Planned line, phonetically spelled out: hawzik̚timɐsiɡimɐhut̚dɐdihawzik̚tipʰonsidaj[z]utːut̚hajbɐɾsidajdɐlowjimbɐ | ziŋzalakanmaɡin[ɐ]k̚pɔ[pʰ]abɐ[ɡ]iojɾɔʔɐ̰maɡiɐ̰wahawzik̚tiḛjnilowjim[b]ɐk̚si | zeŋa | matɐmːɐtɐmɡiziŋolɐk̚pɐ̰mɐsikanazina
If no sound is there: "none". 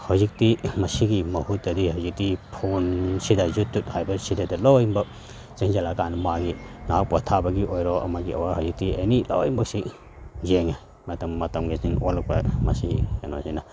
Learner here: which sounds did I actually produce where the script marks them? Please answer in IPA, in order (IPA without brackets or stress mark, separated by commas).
z, a, tʰ, ɡ, b